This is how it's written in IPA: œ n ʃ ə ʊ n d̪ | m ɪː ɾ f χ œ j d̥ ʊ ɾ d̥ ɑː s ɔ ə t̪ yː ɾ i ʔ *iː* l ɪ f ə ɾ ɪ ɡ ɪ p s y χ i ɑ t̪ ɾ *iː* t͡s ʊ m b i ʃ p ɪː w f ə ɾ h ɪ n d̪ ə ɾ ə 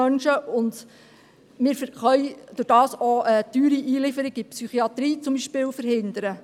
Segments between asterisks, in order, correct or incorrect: correct, correct

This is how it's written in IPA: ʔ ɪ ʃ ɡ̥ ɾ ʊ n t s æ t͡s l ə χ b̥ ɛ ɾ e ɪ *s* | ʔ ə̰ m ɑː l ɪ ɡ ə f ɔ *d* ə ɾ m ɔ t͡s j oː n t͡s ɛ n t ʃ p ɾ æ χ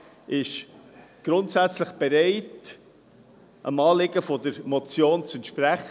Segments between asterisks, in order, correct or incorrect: incorrect, correct

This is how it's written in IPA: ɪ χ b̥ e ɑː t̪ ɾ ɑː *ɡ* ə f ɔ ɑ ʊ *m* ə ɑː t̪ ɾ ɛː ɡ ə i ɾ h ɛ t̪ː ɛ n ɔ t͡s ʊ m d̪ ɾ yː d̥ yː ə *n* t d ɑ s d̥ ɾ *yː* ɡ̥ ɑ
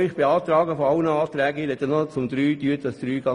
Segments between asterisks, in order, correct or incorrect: correct, incorrect, incorrect, correct

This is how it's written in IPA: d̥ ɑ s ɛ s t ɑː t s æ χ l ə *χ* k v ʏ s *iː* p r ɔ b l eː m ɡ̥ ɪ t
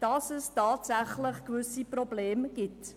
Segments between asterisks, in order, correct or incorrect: correct, incorrect

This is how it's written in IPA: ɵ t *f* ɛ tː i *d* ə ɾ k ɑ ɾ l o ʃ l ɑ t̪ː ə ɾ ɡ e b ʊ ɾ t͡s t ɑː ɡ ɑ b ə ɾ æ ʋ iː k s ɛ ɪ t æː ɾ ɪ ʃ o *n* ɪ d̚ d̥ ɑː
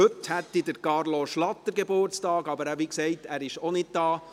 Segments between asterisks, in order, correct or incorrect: incorrect, correct, correct

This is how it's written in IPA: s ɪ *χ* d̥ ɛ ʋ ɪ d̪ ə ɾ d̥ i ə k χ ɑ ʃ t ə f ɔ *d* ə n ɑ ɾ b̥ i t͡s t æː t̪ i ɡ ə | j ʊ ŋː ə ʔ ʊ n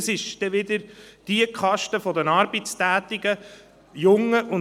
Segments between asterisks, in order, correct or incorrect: incorrect, correct

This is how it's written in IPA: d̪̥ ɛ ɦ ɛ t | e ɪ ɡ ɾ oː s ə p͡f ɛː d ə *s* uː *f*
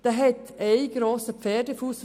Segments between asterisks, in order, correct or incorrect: incorrect, incorrect

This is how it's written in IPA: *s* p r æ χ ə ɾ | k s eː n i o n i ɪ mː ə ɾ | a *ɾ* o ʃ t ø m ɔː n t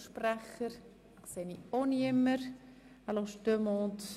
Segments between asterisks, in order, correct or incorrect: incorrect, incorrect

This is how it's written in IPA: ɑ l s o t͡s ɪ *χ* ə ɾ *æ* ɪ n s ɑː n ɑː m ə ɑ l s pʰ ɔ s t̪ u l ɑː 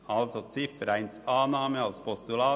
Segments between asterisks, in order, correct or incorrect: incorrect, correct

